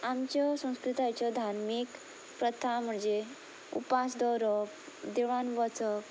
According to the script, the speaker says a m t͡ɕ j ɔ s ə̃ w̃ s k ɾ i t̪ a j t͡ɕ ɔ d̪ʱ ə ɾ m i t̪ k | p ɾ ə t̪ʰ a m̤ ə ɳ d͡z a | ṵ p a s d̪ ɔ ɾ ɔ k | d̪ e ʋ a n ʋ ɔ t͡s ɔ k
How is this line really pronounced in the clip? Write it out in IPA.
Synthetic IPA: a m t͡ɕ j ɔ s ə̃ w̃ s k ɾ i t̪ a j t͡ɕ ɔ d̪ʱ a ɾ m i k | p ɾ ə t̪ʰ a m̤ ə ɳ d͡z e | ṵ p a s d̪ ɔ ɾ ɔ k | d̪ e ʋ a n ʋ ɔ t͡s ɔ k